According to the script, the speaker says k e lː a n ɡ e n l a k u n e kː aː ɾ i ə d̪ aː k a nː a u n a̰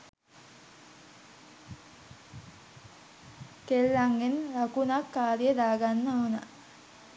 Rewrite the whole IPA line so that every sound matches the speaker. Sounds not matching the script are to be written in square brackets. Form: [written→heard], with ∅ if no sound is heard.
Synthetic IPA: k e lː a [n→ŋ] ɡ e n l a k u n [e→a] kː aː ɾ [i→j] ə d̪ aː [k→ɡ] a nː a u n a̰